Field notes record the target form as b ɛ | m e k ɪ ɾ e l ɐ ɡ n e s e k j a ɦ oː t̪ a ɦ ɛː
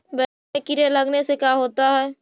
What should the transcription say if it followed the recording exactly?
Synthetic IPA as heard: b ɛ | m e k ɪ ɾ e l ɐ ɡ n e s e k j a ɦ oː t̪ a ɦ ɛː

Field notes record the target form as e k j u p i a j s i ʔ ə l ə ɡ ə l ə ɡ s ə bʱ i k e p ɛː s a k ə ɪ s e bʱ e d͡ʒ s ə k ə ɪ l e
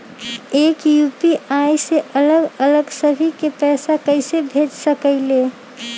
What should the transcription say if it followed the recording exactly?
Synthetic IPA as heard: e k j u p i a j s e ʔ ə l ə ɡ ə l ə ɡ s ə bʱ i k e p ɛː s a k ə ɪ s e bʱ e d͡ʒ s ə k ə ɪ l e

